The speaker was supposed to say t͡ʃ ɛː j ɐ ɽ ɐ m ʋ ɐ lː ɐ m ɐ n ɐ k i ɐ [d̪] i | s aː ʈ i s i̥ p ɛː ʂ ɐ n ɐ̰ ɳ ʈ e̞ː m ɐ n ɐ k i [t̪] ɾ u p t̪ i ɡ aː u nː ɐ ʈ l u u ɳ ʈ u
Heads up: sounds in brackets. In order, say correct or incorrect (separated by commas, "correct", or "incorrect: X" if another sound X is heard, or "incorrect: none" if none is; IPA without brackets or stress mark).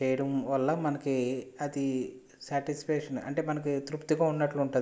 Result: correct, correct